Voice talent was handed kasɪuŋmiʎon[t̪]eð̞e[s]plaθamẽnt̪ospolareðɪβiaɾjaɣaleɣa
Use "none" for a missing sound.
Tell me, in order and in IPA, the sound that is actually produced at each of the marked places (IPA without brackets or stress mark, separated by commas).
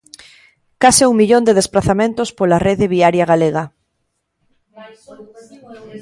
d̪, s